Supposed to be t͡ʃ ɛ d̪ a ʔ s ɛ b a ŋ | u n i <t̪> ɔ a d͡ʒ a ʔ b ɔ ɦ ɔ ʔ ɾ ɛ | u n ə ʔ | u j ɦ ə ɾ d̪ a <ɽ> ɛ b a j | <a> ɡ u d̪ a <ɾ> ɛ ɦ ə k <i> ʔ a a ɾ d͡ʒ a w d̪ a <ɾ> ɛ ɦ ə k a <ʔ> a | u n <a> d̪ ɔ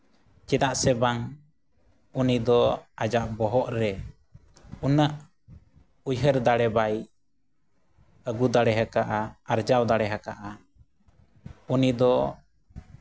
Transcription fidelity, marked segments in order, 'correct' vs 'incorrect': incorrect: d̪, correct, incorrect: ə, incorrect: ɽ, incorrect: a, incorrect: ɽ, correct, incorrect: i

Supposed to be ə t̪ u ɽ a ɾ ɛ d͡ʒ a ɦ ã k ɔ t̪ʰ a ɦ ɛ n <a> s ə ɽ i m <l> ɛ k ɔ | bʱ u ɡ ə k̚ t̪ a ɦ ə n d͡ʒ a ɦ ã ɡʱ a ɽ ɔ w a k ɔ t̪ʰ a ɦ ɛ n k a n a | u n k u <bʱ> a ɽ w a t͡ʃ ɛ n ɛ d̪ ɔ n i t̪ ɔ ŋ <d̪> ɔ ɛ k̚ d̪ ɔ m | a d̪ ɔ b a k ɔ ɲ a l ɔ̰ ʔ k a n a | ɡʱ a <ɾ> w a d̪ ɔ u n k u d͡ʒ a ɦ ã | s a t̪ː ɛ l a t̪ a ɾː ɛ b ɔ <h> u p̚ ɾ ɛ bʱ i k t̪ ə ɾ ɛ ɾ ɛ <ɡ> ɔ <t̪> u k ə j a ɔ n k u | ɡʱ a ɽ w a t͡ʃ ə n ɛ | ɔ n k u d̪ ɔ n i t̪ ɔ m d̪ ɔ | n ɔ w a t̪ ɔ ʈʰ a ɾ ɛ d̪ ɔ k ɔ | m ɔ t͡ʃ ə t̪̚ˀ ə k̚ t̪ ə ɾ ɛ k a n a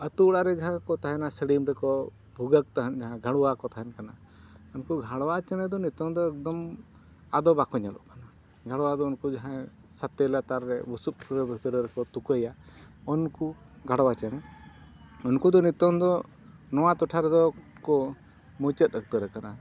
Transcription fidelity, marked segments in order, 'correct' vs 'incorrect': correct, incorrect: ɾ, incorrect: ɡʱ, correct, incorrect: ɽ, incorrect: s, incorrect: k, correct

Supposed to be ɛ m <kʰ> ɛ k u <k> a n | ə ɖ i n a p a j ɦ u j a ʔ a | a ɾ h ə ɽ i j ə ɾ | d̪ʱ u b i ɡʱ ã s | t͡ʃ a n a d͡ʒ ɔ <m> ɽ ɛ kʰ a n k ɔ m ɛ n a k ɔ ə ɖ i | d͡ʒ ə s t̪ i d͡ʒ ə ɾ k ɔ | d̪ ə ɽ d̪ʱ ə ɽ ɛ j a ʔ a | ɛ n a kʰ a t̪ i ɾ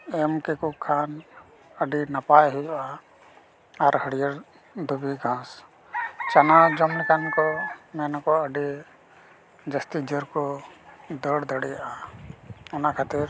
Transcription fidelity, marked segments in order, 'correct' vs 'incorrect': incorrect: k, incorrect: kʰ, correct

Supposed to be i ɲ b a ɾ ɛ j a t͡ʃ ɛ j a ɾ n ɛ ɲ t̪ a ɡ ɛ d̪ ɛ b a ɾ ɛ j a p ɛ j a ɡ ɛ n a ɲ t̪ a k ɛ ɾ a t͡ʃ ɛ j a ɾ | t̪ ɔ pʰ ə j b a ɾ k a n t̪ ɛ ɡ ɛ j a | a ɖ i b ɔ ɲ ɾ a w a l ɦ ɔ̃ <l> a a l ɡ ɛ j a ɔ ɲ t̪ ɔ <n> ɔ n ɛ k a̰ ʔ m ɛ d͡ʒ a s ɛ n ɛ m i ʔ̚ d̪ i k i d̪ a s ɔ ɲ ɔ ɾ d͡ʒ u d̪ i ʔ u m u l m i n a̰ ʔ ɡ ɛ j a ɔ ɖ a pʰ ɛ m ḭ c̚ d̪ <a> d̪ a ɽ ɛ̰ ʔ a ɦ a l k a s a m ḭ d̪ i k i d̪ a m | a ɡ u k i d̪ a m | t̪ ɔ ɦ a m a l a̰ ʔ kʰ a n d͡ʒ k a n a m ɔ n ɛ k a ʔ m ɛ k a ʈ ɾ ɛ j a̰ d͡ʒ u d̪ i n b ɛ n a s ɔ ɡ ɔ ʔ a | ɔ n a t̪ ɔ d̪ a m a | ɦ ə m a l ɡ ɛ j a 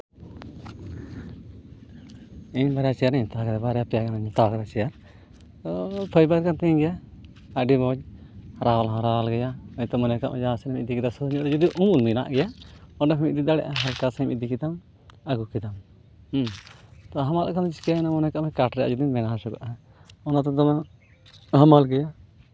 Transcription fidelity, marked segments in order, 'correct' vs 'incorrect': incorrect: ɾ, incorrect: m, incorrect: i

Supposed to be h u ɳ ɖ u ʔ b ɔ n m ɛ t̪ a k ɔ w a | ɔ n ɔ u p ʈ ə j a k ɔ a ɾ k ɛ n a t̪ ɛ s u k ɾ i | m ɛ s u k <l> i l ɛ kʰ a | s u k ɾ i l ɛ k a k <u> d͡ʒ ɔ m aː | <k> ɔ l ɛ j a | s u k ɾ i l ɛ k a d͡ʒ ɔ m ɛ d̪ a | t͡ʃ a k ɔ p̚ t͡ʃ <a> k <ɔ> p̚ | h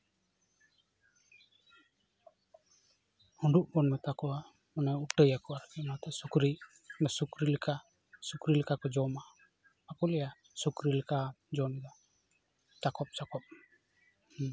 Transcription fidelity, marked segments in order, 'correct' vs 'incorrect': incorrect: ɾ, incorrect: ɔ, correct, correct, correct

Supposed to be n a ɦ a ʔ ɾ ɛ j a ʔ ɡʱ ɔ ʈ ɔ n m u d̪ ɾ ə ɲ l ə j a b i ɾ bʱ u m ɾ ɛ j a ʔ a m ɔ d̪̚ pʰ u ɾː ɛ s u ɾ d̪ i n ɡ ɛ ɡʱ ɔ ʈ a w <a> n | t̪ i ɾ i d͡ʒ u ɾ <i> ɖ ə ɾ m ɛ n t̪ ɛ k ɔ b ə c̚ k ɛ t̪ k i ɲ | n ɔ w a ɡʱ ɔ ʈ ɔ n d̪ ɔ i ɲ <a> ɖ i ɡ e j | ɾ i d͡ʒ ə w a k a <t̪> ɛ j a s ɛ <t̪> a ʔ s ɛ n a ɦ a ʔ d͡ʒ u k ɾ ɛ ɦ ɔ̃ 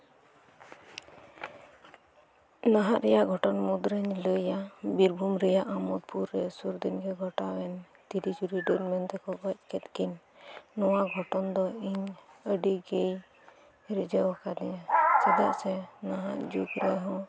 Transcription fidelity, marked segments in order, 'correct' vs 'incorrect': incorrect: ɛ, correct, incorrect: ə, incorrect: d̪, incorrect: d̪

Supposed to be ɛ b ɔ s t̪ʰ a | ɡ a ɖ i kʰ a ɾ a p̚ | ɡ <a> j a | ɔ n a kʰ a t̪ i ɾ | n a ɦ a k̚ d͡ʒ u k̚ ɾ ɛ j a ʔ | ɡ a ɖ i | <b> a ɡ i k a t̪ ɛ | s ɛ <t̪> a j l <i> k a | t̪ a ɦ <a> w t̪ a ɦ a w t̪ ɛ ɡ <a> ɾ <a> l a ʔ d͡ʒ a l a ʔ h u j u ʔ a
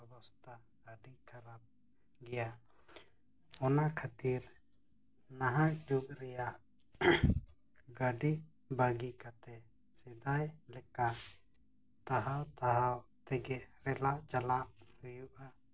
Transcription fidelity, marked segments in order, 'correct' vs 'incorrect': incorrect: ɛ, correct, incorrect: d̪, incorrect: ɛ, correct, incorrect: ɛ, incorrect: ɛ

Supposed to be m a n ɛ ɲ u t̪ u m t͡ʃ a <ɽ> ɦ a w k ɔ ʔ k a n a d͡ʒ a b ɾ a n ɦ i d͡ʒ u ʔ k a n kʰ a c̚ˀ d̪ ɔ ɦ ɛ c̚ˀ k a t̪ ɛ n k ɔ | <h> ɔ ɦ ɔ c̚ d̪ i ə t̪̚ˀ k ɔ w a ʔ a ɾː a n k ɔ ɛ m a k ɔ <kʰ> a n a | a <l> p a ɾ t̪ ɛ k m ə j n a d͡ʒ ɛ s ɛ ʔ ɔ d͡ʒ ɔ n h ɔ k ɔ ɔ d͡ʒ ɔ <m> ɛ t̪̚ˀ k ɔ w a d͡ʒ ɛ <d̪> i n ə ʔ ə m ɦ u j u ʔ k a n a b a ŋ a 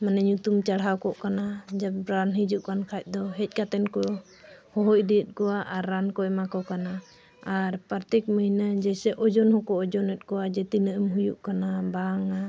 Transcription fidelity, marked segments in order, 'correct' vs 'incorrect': correct, correct, incorrect: k, incorrect: ɾ, incorrect: n, incorrect: t̪

